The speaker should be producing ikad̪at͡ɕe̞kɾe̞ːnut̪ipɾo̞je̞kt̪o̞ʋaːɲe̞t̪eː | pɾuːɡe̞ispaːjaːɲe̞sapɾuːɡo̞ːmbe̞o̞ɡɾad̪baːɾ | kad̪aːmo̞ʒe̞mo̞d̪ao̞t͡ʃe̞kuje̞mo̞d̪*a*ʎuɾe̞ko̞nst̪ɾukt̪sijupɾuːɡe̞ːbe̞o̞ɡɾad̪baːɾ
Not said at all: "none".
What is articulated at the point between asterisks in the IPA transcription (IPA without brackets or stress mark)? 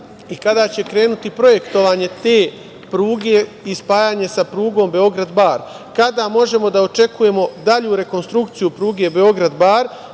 a